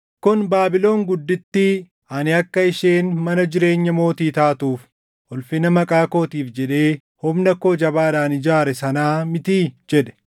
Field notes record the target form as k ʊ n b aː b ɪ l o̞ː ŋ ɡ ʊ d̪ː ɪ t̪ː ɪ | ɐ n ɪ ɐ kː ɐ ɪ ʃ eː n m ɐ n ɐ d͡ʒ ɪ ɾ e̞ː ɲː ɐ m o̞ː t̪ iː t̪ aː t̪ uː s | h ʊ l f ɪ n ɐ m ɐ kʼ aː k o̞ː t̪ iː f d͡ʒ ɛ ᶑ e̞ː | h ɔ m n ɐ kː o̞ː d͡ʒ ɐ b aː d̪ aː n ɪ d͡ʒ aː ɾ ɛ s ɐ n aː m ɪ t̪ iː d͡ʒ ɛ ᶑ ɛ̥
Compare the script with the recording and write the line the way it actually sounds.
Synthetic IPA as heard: k ʊ n b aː b ɪ l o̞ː ŋ ɡ ʊ d̪ː ɪ t̪ː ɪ | ɐ n ɪ ɐ kː ɐ ɪ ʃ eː n m ɐ n ɐ d͡ʒ ɪ ɾ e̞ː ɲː ɐ m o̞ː t̪ iː t̪ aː t̪ uː f | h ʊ l f ɪ n ɐ m ɐ kʼ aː k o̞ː t̪ iː f d͡ʒ ɛ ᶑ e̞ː | h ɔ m n ɐ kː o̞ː d͡ʒ ɐ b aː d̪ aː n ɪ d͡ʒ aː ɾ ɛ s ɐ n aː m ɪ t̪ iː d͡ʒ ɛ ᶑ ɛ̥

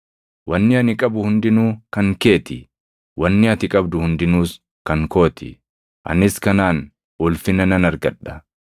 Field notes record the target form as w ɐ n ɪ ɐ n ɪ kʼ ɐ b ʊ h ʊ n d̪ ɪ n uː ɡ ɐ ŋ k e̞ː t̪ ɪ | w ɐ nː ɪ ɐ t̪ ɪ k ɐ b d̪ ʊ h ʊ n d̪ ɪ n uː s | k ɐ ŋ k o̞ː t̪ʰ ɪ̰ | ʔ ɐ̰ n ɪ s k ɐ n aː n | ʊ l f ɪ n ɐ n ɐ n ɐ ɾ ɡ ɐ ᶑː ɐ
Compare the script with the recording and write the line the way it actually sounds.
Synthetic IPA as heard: w ɐ nː ɪ ɐ n ɪ kʼ ɐ b ʊ h ʊ n d̪ ɪ n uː k ɐ ŋ k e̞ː t̪ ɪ | w ɐ nː ɪ ɐ t̪ ɪ kʼ ɐ b d̪ ʊ h ʊ n d̪ ɪ n uː s | k ɐ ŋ k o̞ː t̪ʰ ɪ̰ | ʔ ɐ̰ n ɪ s k ɐ n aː n | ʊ l f ɪ n ɐ n ɐ n ɐ ɾ ɡ ɐ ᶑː ɐ

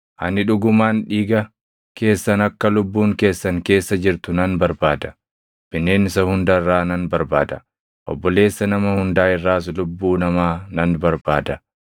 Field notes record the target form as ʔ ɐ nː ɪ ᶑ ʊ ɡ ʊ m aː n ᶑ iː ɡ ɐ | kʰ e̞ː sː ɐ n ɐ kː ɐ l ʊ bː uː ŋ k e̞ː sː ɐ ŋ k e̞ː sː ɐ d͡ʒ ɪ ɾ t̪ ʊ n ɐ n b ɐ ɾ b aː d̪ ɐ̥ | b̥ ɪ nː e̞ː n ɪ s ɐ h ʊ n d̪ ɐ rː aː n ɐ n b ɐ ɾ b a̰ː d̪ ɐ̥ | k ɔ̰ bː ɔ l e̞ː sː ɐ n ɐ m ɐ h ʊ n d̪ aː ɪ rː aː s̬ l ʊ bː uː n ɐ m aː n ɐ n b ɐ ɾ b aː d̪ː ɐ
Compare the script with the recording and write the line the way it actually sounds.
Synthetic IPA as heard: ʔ ɐ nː ɪ ᶑ ʊ ɡ ʊ m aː n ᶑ iː ɡ ɐ | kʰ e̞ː sː ɐ n ɐ kː ɐ l ʊ bː uː ŋ k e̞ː sː ɐ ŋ k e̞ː sː ɐ d͡ʒ ɪ ɾ t̪ ʊ n ɐ n b ɐ ɾ b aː d̪ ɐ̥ | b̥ ɪ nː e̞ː n ɪ s ɐ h ʊ n d̪ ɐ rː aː n ɐ n b ɐ ɾ b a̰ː d̪ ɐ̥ | ʔ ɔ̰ bː ɔ l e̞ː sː ɐ n ɐ m ɐ h ʊ n d̪ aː ɪ rː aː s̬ l ʊ bː uː n ɐ m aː n ɐ n b ɐ ɾ b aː d̪ ɐ

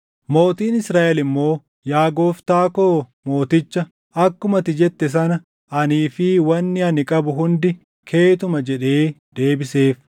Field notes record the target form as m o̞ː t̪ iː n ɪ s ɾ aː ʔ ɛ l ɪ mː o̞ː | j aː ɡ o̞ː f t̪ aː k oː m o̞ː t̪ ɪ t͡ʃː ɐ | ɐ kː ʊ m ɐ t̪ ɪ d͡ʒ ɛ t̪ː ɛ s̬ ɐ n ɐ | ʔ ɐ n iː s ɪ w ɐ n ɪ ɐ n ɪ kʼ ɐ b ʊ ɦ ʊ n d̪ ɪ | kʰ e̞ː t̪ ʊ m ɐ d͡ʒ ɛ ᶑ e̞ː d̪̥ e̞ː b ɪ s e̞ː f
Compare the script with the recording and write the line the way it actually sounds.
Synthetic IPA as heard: m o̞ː t̪ iː n ɪ s ɾ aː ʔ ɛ l ɪ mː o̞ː | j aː ɡ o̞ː f t̪ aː k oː m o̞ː t̪ ɪ t͡ʃː ɐ | ɐ kː ʊ m ɐ t̪ ɪ d͡ʒ ɛ t̪ː ɛ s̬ ɐ n ɐ | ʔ ɐ n iː f ɪ w ɐ nː ɪ ɐ n ɪ kʼ ɐ b ʊ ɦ ʊ n d̪ ɪ | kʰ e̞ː t̪ ʊ m ɐ d͡ʒ ɛ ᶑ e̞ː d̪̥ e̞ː b ɪ s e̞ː f

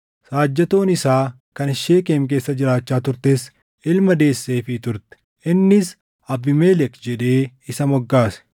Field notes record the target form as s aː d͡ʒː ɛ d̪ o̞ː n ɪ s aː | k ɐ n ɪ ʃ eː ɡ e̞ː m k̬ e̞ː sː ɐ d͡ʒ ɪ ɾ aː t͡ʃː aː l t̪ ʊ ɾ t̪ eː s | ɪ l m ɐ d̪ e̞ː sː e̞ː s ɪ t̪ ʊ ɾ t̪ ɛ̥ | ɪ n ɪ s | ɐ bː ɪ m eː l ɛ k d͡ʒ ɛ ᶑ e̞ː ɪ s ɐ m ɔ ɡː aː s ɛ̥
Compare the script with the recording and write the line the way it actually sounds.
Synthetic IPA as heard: s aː d͡ʒː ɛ t̪ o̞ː n ɪ s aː | k ɐ n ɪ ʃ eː k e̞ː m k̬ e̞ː sː ɐ d͡ʒ ɪ ɾ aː t͡ʃː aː t̪ ʊ ɾ t̪ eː s | ɪ l m ɐ d̪ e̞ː sː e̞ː f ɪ t̪ ʊ ɾ t̪ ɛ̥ | ɪ nː ɪ s | ɐ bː ɪ m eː l ɛ k d͡ʒ ɛ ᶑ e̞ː ɪ s ɐ m ɔ ɡː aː s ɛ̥

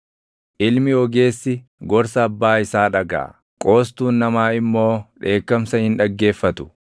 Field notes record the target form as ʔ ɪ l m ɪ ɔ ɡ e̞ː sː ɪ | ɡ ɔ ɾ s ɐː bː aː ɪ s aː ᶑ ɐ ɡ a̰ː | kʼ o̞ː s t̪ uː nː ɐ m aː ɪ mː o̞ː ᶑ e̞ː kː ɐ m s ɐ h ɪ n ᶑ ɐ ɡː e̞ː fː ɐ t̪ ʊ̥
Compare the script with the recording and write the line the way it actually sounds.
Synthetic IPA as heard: ʔ ɪ l m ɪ ɔ ɡ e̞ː sː ɪ | ɡ ɔ ɾ s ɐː bː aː ɪ s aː ᶑ ɐ ɡ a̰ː | kʼ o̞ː s t̪ uː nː ɐ m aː ɪ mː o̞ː ᶑ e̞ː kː ɐ m s ɐ h ɪ n ᶑ ɐ ɡː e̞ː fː ɐ t̪ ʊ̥

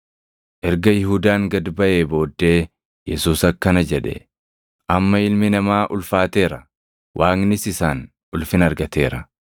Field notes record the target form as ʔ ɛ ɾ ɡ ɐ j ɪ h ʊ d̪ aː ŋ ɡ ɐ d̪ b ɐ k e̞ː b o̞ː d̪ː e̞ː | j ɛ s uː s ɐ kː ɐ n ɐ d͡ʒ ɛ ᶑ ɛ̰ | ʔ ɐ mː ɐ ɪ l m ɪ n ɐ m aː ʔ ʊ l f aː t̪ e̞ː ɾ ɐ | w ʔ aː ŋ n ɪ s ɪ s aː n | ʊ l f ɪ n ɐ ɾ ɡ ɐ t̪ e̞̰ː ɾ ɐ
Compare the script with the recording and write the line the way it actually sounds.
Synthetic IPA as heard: ʔ ɛ ɾ ɡ ɐ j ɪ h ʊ d̪ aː ŋ ɡ ɐ d̪ b ɐ ʔ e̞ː b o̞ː d̪ː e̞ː | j ɛ s uː s ɐ kː ɐ n ɐ d͡ʒ ɛ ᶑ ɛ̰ | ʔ ɐ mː ɐ ɪ l m ɪ n ɐ m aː ʔ ʊ l f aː t̪ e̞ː ɾ ɐ | w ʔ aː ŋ n ɪ s ɪ s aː n | ʊ l f ɪ n ɐ ɾ ɡ ɐ t̪ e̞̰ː ɾ ɐ

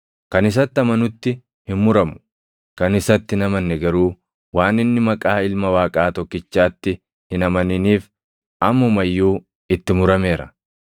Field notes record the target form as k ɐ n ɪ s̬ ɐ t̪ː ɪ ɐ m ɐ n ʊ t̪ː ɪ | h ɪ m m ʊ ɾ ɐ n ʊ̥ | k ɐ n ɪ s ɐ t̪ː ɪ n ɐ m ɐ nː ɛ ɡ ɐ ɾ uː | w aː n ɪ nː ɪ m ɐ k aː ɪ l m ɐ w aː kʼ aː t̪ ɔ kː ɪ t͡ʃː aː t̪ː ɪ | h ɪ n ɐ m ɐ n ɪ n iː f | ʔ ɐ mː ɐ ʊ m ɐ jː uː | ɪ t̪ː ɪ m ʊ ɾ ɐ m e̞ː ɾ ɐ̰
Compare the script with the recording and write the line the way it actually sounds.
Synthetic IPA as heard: k ɐ n ɪ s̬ ɐ t̪ː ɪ ɐ m ɐ n ʊ t̪ː ɪ | h ɪ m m ʊ ɾ ɐ m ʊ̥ | k ɐ n ɪ s ɐ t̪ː ɪ n ɐ m ɐ nː ɛ ɡ ɐ ɾ uː | w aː n ɪ nː ɪ m ɐ kʼ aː ɪ l m ɐ w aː kʼ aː t̪ ɔ kː ɪ t͡ʃː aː t̪ː ɪ | h ɪ n ɐ m ɐ n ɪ n iː f | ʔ ɐ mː ɐ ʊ m ɐ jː uː | ɪ t̪ː ɪ m ʊ ɾ ɐ m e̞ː ɾ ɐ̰

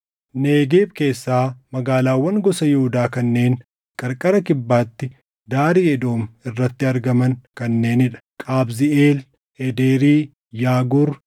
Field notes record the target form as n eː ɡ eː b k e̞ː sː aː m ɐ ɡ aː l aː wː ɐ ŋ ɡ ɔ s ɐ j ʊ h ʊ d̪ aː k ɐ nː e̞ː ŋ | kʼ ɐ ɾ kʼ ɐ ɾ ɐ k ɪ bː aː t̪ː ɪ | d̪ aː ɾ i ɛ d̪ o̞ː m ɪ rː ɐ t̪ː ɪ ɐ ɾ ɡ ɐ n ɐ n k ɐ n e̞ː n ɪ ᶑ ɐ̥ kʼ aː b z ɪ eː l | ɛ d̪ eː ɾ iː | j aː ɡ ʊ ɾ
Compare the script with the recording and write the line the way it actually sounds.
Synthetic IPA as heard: n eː ɡ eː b k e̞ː sː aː m ɐ ɡ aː l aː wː ɐ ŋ ɡ ɔ s ɐ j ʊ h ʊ d̪ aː k ɐ nː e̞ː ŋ | kʼ ɐ ɾ kʼ ɐ ɾ ɐ k ɪ bː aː t̪ː ɪ | d̪ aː ɾ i ɛ d̪ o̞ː m ɪ rː ɐ t̪ː ɪ ɐ ɾ ɡ ɐ m ɐ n k ɐ nː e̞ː n ɪ ᶑ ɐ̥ kʼ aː b z ɪ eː l | ɛ d̪ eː ɾ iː | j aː ɡ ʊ ɾ

